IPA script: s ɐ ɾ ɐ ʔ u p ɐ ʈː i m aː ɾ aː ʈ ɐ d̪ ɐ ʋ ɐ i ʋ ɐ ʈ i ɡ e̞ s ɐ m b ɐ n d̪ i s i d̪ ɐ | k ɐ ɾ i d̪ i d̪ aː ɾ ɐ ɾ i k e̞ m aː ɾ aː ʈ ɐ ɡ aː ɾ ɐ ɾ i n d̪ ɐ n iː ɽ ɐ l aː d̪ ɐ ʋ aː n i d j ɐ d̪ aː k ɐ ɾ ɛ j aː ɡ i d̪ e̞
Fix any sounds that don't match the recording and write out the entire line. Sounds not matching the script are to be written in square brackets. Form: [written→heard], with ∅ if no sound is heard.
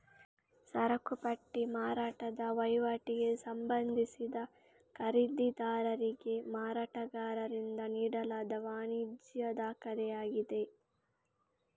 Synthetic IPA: s ɐ ɾ ɐ [ʔ→k] u p ɐ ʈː i m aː ɾ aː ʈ ɐ d̪ ɐ ʋ ɐ [i→j] ʋ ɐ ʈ i ɡ e̞ s ɐ m b ɐ n d̪ i s i d̪ ɐ | k ɐ ɾ i d̪ i d̪ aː ɾ ɐ ɾ i [k→ɡ] e̞ m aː ɾ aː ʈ ɐ ɡ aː ɾ ɐ ɾ i n d̪ ɐ n iː ɽ ɐ l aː d̪ ɐ ʋ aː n i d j ɐ d̪ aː k ɐ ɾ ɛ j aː ɡ i d̪ e̞

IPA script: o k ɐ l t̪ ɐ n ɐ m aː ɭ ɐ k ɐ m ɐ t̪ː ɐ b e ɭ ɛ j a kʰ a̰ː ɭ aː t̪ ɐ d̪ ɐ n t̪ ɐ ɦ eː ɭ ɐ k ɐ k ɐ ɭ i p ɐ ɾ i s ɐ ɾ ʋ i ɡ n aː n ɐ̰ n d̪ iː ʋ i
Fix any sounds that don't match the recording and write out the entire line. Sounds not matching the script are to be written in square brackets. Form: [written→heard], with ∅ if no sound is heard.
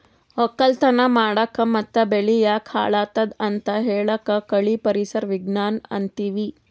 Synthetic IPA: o k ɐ l t̪ ɐ n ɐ m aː [ɭ→ɽ] ɐ k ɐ m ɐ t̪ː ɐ b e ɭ [ɛ→i] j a kʰ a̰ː ɭ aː t̪ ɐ d̪ ɐ n t̪ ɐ ɦ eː ɭ ɐ k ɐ k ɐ ɭ i p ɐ ɾ i s ɐ ɾ ʋ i ɡ n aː n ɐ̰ n [d̪→t̪] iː ʋ i

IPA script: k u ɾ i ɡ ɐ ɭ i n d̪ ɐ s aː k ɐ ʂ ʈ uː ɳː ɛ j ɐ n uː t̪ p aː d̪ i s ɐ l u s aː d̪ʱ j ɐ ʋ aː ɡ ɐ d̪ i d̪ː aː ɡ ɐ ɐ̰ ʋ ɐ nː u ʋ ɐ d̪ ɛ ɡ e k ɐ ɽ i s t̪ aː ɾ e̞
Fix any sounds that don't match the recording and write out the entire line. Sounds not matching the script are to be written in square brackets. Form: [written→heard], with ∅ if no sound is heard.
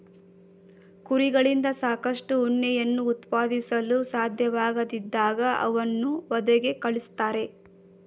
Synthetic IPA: k u ɾ i ɡ ɐ ɭ i n d̪ ɐ s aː k ɐ ʂ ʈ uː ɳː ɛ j ɐ [n→nː] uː t̪ p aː d̪ i s ɐ l u s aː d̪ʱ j ɐ ʋ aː ɡ ɐ d̪ i d̪ː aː ɡ ɐ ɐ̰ ʋ ɐ nː u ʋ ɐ d̪ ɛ ɡ e k ɐ [ɽ→ɭ] i s t̪ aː ɾ e̞

